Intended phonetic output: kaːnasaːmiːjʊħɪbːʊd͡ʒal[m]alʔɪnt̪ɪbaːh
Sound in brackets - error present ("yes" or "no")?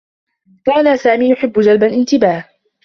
yes